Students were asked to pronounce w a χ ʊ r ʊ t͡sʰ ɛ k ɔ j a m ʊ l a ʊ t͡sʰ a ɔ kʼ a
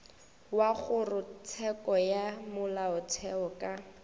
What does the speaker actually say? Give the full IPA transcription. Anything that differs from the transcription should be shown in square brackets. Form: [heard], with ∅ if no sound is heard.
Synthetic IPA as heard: w a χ ʊ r ʊ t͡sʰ ɛ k ɔ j a m ʊ l a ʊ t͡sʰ [ɛ] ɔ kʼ a